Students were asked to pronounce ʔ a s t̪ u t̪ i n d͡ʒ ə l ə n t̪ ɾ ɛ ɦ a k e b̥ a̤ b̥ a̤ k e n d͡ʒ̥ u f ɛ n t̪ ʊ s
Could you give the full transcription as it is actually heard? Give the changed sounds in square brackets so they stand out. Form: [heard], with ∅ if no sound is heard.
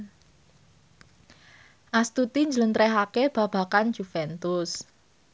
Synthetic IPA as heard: ʔ a s t̪ u t̪ i [ɲ] d͡ʒ ə l ə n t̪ ɾ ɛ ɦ a k e b̥ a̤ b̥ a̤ k [a] n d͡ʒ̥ u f ɛ n t̪ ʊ s